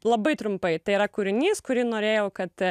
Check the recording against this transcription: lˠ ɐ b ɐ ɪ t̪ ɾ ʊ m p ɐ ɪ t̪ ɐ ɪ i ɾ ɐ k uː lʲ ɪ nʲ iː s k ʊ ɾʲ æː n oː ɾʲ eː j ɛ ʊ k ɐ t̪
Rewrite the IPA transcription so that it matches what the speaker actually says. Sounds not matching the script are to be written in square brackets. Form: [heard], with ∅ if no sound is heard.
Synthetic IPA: lˠ ɐ b ɐ ɪ t̪ ɾ ʊ m p ɐ ɪ t̪ ɐ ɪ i ɾ ɐ k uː [ɾʲ] ɪ nʲ iː s k ʊ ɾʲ [iː] n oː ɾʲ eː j ɛ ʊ k ɐ t̪